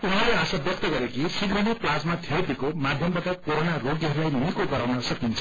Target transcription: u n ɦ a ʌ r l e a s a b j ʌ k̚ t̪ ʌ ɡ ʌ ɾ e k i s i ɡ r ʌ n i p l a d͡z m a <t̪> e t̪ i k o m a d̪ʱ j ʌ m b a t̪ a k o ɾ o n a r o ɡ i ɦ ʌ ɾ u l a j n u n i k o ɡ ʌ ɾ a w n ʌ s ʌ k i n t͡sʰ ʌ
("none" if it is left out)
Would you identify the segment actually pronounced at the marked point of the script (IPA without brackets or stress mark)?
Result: t̪ʰ